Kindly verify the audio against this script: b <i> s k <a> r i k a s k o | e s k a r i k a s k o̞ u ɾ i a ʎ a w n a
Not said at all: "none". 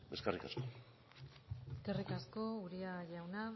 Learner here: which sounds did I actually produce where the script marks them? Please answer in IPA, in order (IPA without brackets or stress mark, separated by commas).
e, a